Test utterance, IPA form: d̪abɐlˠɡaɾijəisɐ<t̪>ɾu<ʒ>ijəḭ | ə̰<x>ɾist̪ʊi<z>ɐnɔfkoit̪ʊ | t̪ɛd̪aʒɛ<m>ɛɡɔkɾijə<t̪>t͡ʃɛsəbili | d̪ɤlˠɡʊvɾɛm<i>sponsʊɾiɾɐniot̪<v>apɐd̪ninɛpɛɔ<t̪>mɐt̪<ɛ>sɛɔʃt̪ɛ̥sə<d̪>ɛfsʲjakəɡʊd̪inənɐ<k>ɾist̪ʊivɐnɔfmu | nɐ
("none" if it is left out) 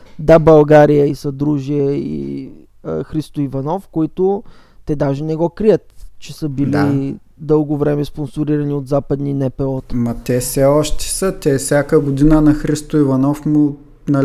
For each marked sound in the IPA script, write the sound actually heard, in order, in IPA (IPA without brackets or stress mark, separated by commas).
d̪, ʒ, x, v, n, t̪, ɛ, z, t̪, ɛ, t̪, x